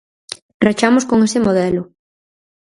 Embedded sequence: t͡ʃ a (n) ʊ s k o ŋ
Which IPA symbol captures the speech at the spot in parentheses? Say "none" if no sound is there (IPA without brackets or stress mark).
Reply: m